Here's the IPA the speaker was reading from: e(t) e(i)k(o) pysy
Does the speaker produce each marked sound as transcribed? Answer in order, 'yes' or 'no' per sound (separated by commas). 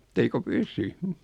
yes, yes, yes